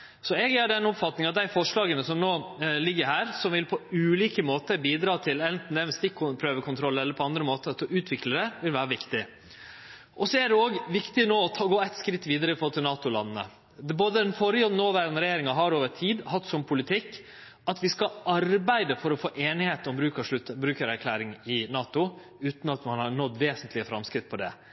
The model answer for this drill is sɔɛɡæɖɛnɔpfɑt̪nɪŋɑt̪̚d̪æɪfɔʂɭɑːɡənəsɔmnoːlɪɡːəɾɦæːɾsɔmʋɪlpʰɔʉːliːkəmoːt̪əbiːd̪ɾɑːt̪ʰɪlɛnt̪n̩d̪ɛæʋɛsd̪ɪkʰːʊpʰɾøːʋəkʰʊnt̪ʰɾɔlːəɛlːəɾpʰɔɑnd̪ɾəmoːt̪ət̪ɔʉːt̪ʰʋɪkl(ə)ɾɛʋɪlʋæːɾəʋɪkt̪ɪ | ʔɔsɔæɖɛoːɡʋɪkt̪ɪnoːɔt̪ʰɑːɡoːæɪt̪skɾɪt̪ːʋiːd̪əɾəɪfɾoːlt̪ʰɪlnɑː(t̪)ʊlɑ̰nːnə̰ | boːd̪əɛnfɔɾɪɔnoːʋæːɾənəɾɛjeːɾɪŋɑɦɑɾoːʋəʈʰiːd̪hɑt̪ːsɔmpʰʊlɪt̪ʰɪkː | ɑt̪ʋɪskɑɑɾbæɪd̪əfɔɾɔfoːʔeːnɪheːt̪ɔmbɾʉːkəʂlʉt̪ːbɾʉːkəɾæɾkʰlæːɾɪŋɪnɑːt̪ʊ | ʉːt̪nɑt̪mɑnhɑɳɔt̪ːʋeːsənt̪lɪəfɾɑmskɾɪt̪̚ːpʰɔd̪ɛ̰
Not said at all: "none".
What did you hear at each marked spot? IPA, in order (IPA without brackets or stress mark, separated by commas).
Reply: ə, t̪